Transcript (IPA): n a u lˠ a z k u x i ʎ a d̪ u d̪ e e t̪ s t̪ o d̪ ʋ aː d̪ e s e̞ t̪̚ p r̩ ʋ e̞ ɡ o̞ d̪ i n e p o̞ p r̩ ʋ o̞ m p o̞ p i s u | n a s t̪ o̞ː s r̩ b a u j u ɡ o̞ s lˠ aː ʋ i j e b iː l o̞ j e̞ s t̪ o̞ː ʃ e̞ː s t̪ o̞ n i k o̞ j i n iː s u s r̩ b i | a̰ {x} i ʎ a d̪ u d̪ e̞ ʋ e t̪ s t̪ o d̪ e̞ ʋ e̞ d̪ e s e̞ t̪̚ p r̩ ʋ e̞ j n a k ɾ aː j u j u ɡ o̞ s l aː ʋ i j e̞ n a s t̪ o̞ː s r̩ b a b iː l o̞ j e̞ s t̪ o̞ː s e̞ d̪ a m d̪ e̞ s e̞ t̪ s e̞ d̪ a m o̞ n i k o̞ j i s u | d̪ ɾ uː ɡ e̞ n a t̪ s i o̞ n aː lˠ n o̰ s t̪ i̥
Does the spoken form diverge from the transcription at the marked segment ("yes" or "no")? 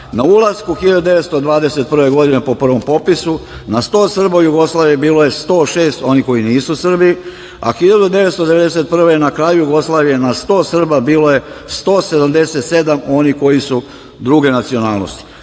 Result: no